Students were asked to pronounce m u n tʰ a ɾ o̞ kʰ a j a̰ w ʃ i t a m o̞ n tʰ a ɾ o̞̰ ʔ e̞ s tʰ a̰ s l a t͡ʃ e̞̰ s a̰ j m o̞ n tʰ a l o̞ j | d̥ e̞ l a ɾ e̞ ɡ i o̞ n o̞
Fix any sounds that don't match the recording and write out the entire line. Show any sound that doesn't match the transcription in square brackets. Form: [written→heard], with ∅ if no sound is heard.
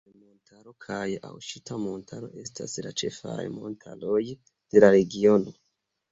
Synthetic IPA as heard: m [u→o] n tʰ a ɾ o̞ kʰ a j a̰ w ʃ i t a m o̞ n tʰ a ɾ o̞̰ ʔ e̞ s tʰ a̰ s l a t͡ʃ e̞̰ [s→f] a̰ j m o̞ n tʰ a l o̞ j | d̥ e̞ l a ɾ e̞ ɡ i o̞ n o̞